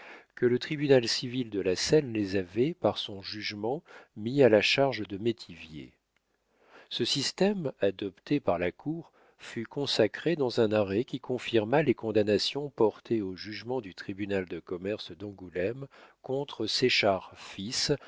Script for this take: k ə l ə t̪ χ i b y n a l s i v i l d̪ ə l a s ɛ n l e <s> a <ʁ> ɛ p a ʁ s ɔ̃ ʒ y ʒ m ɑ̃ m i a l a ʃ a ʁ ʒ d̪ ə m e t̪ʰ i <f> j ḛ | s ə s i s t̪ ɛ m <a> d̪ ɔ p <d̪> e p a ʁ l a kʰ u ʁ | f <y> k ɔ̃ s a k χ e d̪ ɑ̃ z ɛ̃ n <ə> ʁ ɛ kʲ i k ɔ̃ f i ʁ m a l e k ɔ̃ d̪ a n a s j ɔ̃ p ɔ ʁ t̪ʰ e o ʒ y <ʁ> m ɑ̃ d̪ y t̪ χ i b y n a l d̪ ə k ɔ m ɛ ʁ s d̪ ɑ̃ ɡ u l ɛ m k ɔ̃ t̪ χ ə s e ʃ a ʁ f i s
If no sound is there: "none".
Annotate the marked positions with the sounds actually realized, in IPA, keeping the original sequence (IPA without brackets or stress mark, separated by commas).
z, v, v, a, t̪, y, a, ʒ